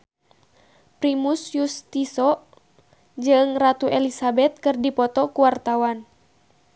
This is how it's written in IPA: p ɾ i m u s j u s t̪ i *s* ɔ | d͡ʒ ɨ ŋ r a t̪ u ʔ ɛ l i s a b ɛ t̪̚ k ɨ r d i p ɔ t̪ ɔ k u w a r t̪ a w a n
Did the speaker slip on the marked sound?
no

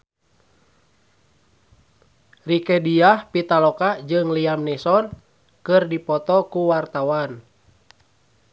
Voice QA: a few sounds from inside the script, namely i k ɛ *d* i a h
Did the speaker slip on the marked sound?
no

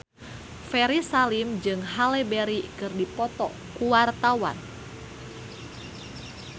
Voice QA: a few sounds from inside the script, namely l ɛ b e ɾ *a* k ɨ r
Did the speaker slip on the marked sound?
yes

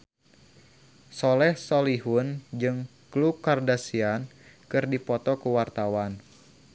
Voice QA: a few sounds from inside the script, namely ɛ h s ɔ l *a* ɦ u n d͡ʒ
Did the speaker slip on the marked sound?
yes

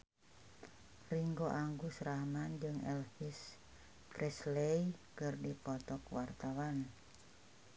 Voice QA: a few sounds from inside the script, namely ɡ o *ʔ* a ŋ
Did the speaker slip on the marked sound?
no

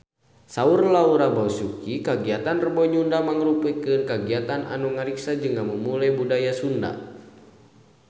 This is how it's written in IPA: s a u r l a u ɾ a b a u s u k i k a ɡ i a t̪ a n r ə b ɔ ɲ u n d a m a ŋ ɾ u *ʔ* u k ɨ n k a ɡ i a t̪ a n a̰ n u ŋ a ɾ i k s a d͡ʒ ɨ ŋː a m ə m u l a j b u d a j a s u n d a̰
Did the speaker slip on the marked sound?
yes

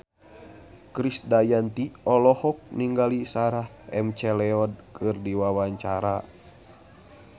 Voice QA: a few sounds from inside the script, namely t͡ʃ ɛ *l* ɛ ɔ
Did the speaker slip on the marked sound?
no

